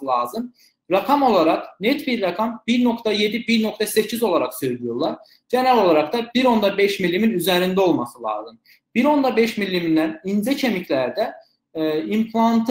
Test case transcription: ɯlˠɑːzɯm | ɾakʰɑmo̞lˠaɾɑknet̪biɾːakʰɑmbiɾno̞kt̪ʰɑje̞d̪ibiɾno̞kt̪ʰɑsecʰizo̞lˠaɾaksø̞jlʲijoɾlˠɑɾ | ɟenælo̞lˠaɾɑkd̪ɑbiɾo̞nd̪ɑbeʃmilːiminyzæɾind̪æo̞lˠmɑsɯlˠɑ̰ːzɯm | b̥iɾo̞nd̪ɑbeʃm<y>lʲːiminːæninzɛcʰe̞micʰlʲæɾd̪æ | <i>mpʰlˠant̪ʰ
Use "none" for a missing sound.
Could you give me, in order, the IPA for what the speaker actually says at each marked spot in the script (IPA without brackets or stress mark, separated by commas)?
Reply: i, i